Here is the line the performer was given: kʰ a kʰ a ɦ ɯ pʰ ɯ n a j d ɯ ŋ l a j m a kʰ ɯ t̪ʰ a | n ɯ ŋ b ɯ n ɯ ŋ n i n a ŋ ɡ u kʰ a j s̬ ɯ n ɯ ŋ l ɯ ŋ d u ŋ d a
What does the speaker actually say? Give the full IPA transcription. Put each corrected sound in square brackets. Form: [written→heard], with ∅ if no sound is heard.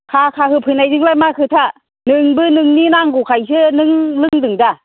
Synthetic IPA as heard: kʰ a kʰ a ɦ ɯ pʰ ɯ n a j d ɯ ŋ l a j m a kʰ ɯ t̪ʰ a | n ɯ ŋ b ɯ n ɯ ŋ n i n a ŋ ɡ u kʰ a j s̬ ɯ n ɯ ŋ l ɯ ŋ d [u→ɯ] ŋ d a